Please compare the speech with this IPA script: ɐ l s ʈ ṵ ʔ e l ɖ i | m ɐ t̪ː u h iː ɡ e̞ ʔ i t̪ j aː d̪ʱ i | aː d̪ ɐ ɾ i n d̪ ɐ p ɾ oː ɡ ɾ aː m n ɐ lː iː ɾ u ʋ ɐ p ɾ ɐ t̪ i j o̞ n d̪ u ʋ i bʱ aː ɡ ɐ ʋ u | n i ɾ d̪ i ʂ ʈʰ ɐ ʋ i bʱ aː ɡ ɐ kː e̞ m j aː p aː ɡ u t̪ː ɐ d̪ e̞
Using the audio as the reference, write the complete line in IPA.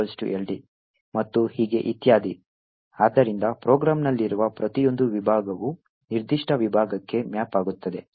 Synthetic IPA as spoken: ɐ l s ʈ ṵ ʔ e l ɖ i | m ɐ t̪ː u h iː ɡ e̞ ʔ i t̪ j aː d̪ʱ i | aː d̪ ɐ ɾ i n d̪ ɐ p ɾ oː ɡ ɾ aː m n ɐ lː i ɾ u ʋ ɐ p ɾ ɐ t̪ i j o̞ n d̪ u ʋ i bʱ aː ɡ ɐ ʋ u | n i ɾ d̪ i ʂ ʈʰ ɐ ʋ i bʱ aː ɡ ɐ kː e̞ m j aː p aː ɡ u t̪ː ɐ d̪ e̞